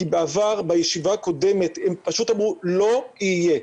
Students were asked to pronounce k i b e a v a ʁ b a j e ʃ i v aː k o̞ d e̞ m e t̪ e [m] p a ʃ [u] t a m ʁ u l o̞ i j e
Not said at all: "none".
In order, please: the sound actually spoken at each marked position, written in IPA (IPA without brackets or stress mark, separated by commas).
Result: m, u